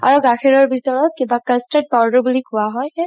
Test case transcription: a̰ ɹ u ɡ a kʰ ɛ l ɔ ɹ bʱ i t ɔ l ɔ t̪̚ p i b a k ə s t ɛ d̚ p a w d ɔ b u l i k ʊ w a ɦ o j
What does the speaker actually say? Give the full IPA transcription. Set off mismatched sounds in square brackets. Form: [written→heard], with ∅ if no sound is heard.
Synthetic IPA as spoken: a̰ ɹ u ɡ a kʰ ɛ [l→ɹ] ɔ ɹ bʱ i t ɔ [l→ɹ] ɔ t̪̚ [p→k] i b a k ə s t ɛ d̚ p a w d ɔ b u l i k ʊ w a ɦ [o→ɔ] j